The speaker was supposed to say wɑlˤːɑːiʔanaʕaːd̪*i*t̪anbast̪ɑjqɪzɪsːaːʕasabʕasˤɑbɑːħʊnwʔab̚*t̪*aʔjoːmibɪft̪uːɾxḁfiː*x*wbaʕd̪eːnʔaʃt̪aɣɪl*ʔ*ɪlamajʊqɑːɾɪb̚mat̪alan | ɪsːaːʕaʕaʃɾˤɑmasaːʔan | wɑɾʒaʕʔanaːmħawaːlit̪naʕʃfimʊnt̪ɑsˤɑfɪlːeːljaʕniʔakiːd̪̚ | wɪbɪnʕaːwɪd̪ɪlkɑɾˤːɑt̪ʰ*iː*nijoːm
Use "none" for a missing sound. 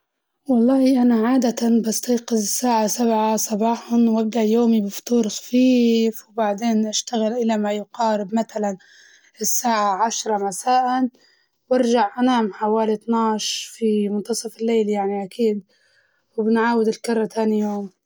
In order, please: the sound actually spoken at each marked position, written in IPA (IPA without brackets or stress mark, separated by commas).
a, d̪, f, ʔ, aː